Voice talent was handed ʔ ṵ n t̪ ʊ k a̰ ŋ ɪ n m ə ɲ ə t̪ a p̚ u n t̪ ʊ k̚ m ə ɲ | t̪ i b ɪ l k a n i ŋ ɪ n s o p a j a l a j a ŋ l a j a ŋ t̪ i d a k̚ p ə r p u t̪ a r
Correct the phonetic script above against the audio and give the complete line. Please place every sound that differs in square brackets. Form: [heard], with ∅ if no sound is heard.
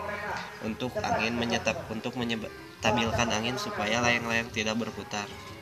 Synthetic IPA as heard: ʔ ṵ n t̪ ʊ k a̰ ŋ ɪ n m ə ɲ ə t̪ a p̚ u n t̪ ʊ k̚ m ə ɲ | t̪ [a] b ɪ l k a n [a] ŋ ɪ n s [u] p a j a l a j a ŋ l a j a ŋ t̪ i d a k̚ [b] ə r p u t̪ a r